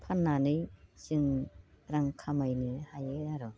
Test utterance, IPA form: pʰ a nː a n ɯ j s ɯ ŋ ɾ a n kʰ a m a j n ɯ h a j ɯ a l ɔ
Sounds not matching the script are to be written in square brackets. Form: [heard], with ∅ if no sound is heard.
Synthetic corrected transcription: pʰ a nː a n ɯ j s ɯ ŋ ɾ a [ŋ] kʰ a m a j n ɯ h a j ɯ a [ɾ] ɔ